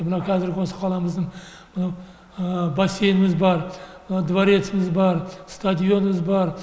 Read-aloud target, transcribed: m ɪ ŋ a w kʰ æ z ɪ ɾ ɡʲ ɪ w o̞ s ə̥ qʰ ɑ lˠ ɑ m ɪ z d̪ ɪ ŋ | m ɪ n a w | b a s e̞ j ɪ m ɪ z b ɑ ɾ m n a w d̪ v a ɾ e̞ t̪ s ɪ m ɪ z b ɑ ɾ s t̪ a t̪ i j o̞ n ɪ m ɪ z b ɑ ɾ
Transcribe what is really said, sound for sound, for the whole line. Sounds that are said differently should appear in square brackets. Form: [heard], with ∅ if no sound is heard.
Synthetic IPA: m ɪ [n] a w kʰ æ z ɪ ɾ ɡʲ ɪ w o̞ s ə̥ qʰ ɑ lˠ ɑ m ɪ z d̪ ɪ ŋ | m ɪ n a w | b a s e̞ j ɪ m ɪ z b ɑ ɾ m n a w d̪ v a ɾ e̞ t̪ s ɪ m ɪ z b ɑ ɾ s t̪ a [d̪] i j o̞ n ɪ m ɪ z b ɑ ɾ